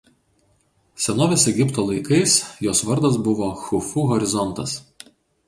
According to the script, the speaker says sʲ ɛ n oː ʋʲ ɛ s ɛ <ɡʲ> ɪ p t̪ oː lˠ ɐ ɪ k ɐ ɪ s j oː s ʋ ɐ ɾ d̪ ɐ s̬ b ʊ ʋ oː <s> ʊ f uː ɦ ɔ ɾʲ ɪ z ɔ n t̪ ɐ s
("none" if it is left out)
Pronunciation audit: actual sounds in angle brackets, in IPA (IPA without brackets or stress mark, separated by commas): ɡʲ, x